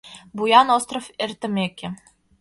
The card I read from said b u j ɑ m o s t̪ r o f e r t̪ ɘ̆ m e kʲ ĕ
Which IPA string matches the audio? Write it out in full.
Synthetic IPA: b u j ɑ n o s t̪ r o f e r t̪ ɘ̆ m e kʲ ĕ